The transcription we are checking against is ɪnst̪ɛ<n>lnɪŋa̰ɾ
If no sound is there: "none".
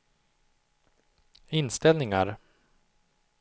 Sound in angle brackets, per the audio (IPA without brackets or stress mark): none